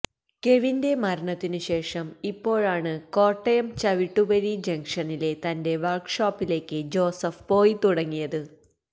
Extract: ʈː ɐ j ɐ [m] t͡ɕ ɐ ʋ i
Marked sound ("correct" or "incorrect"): correct